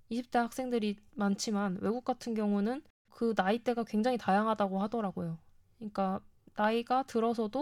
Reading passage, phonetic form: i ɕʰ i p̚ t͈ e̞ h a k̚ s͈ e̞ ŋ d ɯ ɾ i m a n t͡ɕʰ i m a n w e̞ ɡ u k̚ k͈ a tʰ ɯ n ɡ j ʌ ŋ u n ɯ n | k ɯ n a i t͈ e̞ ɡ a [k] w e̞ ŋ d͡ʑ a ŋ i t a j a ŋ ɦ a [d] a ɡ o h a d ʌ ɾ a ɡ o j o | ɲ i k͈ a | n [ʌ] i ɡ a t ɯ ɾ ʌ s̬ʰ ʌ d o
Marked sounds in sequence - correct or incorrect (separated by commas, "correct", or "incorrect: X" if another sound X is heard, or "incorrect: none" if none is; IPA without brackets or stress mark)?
correct, correct, incorrect: a